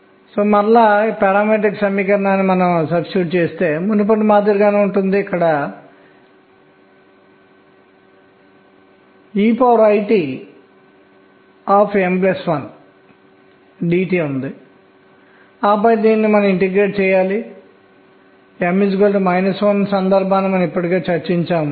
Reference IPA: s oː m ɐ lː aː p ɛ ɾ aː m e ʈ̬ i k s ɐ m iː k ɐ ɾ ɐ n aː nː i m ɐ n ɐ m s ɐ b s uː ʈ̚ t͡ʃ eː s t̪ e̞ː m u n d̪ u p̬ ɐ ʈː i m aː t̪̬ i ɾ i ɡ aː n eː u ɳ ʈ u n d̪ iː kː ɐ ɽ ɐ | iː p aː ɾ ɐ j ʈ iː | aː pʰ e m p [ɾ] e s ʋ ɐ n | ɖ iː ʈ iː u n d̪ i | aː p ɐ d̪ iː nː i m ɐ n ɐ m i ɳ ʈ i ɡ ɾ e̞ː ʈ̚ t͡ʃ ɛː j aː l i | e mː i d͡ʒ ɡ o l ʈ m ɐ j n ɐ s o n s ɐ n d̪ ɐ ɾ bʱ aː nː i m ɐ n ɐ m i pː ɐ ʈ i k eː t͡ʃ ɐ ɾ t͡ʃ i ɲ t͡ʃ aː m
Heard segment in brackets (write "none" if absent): l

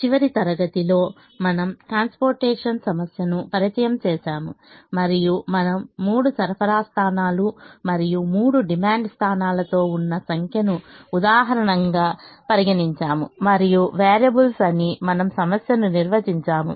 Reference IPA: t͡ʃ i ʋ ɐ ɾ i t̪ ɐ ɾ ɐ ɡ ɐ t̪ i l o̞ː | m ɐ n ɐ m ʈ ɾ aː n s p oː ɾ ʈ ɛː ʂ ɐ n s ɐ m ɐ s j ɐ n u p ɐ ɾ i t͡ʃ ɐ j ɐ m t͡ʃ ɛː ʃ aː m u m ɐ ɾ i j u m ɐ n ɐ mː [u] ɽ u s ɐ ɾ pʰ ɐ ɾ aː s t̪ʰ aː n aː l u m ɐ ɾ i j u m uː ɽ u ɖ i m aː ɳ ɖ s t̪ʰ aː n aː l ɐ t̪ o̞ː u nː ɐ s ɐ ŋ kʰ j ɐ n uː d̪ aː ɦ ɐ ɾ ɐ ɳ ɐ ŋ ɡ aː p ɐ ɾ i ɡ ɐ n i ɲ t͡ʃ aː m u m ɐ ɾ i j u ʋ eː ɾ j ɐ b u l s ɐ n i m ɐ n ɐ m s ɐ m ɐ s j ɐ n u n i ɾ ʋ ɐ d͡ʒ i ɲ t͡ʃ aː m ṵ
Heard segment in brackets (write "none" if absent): uː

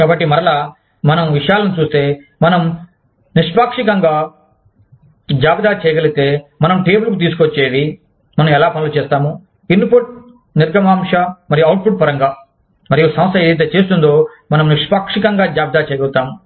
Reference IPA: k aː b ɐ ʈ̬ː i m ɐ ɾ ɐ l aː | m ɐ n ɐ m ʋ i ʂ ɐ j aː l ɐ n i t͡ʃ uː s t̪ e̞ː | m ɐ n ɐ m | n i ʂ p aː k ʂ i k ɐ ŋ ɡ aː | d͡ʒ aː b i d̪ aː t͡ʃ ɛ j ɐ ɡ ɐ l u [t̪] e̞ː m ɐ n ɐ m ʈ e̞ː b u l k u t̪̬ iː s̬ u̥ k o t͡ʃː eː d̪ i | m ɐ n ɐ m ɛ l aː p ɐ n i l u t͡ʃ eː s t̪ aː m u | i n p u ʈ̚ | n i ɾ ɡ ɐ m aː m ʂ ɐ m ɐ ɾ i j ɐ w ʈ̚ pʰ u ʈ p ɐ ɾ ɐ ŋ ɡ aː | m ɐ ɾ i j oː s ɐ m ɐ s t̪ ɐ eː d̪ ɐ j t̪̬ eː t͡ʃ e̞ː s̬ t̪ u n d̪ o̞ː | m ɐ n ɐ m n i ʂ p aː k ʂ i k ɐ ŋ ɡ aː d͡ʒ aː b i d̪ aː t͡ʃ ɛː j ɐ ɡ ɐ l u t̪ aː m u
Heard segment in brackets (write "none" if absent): t̪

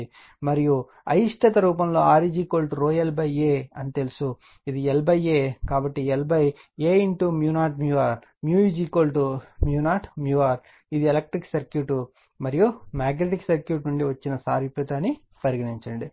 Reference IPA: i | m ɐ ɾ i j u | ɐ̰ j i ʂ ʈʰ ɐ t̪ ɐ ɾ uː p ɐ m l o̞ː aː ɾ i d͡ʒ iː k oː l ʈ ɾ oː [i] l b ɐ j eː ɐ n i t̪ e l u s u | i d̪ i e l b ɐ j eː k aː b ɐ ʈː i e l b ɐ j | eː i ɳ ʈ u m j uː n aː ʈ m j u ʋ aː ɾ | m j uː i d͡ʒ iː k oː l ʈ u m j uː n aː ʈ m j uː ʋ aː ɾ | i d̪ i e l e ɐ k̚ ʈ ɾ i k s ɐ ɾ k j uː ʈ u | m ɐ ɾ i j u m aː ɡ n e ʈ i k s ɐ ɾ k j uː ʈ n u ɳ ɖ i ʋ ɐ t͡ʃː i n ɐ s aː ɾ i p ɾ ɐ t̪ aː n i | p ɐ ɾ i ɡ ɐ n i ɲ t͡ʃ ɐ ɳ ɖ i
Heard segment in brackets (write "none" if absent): e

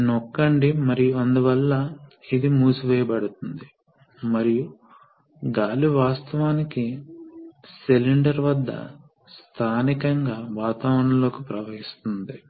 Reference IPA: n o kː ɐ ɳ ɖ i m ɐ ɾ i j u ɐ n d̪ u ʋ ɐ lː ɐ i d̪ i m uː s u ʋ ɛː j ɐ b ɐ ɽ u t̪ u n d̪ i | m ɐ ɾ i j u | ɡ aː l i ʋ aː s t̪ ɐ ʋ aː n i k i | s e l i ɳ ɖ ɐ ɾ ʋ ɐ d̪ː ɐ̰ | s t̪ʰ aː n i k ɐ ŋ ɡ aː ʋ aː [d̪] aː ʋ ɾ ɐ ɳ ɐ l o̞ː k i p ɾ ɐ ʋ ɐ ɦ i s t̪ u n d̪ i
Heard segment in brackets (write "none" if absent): t̪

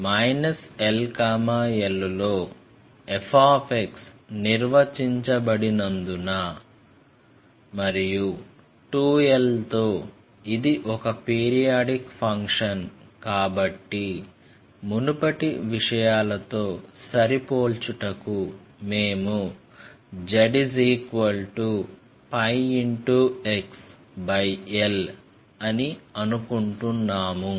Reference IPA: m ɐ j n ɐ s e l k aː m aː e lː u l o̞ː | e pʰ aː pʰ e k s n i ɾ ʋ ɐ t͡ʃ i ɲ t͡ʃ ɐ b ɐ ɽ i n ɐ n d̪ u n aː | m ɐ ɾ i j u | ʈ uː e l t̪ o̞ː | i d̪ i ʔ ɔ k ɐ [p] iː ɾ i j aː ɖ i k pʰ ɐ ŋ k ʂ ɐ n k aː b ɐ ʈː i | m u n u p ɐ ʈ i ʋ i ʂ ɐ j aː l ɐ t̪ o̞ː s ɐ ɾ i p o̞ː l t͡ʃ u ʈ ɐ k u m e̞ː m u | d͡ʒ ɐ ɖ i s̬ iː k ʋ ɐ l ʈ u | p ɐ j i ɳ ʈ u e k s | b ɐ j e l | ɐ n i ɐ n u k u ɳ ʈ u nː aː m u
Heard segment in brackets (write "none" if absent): p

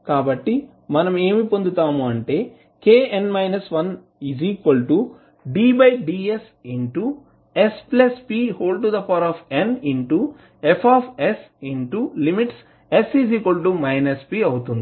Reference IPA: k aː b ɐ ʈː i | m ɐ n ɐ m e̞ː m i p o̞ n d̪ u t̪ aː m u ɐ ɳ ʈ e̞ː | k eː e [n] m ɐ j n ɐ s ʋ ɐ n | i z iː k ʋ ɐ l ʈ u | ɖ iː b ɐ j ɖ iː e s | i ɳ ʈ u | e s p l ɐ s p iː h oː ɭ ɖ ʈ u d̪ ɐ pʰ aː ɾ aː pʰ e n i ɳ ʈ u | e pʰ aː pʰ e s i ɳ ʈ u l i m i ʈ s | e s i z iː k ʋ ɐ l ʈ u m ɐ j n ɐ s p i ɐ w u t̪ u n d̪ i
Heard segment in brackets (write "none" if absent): n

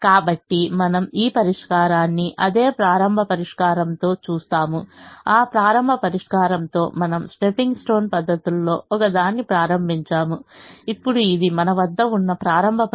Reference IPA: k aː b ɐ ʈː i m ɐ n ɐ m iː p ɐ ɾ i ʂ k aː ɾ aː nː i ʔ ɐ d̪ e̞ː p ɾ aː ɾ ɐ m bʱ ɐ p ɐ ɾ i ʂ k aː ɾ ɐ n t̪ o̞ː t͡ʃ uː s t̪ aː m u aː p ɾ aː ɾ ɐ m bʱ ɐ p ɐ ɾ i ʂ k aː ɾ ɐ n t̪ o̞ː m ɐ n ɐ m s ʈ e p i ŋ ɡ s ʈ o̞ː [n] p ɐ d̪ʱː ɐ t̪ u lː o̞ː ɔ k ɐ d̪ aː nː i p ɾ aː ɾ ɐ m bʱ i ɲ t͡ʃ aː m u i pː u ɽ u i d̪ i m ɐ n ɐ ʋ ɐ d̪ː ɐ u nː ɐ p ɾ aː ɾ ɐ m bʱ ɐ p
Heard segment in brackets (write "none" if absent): n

